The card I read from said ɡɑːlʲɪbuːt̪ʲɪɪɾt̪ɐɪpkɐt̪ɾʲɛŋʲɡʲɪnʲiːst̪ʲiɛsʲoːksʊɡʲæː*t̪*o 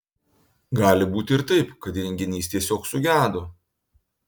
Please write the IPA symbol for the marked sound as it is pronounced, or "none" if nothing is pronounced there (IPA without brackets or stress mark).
d̪